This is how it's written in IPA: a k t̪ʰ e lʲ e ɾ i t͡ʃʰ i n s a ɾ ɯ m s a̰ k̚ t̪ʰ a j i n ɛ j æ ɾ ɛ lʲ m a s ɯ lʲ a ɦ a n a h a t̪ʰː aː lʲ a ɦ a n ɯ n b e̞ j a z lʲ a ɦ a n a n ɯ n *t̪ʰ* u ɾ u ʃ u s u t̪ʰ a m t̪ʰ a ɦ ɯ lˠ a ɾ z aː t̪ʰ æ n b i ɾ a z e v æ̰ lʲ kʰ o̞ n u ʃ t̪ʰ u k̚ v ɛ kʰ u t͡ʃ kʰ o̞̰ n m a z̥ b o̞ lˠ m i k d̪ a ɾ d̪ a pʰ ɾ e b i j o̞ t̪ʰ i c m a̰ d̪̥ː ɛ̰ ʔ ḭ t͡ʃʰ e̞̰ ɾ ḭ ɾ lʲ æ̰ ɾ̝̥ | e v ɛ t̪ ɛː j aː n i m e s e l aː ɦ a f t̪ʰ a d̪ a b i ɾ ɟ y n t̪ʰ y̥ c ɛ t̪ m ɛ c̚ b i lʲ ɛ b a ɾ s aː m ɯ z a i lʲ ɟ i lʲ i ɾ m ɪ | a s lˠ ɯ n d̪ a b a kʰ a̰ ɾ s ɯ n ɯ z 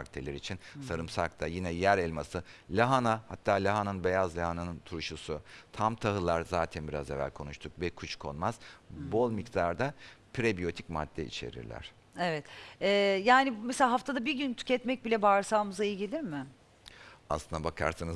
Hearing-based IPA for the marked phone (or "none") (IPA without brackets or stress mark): t̪ʰ